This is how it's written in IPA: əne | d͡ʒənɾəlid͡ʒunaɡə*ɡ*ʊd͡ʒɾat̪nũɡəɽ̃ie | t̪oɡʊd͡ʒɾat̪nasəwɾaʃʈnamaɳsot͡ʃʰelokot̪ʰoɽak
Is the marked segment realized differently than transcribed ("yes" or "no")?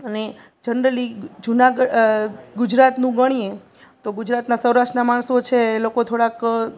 no